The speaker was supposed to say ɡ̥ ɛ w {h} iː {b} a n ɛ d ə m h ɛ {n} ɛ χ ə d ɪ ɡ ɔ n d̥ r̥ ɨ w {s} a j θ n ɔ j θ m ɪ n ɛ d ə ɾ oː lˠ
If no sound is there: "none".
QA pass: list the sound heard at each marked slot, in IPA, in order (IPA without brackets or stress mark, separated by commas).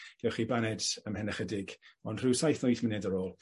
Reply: χ, b, n, s